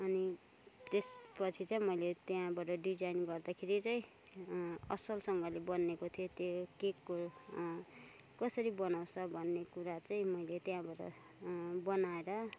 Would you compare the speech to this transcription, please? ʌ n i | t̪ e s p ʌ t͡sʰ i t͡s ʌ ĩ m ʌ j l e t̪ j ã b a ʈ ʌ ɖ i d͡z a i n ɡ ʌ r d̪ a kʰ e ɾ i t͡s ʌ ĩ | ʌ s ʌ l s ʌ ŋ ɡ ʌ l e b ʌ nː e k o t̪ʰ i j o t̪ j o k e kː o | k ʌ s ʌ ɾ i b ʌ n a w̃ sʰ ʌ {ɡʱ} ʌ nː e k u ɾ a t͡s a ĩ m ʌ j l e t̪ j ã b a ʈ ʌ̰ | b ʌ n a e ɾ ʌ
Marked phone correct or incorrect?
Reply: incorrect: bʱ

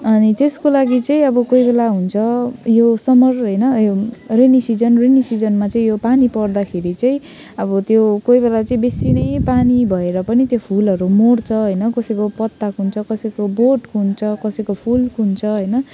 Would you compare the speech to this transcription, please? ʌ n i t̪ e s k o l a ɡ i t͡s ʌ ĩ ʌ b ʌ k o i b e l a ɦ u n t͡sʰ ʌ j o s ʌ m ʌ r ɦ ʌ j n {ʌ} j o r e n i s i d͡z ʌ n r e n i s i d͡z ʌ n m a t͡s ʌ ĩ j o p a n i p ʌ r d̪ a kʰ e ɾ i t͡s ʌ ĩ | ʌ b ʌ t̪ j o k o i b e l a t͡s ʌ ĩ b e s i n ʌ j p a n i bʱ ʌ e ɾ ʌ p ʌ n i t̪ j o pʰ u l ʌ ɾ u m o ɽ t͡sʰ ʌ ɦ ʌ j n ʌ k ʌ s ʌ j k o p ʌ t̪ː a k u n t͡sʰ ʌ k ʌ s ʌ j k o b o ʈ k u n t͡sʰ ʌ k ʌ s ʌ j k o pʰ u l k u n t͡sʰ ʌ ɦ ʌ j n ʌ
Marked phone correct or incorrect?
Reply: correct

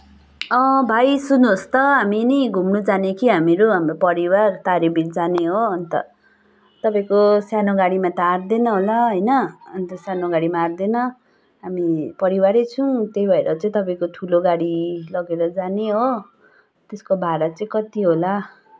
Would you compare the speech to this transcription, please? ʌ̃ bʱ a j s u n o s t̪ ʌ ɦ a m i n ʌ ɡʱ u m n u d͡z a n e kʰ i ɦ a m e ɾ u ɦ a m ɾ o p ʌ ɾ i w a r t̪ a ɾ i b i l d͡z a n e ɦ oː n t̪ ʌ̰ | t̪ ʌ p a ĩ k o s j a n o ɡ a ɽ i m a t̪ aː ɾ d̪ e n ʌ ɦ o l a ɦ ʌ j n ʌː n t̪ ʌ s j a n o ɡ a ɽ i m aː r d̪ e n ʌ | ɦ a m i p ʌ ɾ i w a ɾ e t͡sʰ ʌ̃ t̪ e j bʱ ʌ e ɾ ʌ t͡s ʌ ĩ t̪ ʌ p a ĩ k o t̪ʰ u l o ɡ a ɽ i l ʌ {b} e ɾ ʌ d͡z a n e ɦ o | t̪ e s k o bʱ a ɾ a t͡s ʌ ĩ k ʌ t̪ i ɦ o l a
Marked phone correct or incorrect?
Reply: incorrect: ɡ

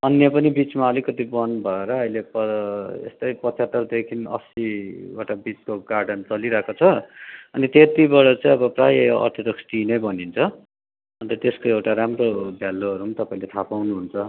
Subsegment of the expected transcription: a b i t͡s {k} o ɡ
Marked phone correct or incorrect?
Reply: correct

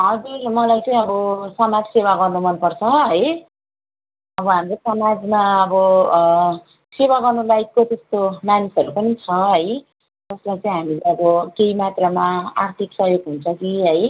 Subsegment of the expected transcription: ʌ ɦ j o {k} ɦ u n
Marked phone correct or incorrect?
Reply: incorrect: ɡ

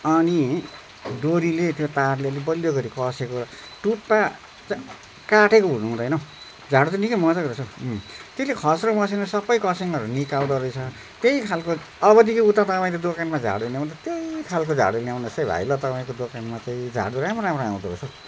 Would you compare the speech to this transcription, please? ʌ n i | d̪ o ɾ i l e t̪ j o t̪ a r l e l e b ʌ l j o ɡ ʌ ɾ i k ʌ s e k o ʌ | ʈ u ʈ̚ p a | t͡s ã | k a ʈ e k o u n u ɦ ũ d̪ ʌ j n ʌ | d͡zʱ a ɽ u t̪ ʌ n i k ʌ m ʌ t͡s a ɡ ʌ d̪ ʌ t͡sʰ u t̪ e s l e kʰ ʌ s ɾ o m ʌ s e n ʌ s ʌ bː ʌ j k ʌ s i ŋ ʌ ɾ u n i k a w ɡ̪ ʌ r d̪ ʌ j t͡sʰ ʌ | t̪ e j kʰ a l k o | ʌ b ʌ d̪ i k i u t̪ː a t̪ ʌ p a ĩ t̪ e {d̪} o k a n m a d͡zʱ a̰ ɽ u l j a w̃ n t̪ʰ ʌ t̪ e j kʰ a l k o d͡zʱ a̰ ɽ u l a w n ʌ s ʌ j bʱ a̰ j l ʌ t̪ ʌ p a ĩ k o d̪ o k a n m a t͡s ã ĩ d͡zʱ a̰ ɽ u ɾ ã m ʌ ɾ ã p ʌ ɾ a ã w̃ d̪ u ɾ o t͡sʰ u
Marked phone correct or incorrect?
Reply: correct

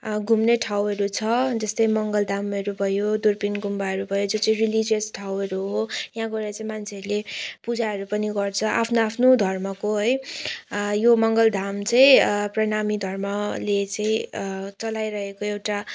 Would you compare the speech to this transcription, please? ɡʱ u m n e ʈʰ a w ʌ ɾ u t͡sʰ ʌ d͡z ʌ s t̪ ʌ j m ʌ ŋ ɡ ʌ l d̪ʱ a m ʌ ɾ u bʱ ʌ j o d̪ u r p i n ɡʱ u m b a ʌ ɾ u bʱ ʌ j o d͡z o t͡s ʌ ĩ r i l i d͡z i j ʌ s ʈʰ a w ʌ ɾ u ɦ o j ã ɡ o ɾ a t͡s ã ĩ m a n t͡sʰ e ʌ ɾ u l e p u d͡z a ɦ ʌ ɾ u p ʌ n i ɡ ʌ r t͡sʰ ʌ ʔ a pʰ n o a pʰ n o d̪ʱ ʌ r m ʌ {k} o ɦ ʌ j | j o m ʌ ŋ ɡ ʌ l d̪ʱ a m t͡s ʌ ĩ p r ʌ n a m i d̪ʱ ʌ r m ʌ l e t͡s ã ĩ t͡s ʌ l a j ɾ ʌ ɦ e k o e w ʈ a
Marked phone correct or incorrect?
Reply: correct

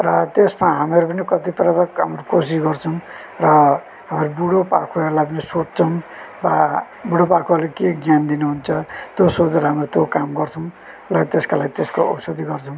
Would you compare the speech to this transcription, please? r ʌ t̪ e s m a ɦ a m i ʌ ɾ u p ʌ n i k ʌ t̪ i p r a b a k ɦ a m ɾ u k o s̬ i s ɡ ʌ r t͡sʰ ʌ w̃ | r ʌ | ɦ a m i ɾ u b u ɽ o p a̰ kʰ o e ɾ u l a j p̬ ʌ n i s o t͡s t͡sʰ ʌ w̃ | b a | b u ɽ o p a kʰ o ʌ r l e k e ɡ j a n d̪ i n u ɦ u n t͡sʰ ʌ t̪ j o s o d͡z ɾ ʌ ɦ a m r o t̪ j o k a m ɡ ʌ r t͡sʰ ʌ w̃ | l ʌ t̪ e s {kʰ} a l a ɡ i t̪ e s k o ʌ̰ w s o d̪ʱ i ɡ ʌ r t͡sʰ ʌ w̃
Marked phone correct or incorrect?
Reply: incorrect: k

